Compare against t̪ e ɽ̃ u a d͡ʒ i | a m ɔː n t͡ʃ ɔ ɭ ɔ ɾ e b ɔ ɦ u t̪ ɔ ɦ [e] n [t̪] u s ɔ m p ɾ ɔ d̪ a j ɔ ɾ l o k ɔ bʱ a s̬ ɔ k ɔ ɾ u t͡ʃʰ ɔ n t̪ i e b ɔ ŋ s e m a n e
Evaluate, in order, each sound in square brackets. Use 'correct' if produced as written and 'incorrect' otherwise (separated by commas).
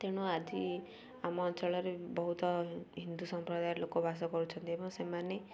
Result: incorrect, incorrect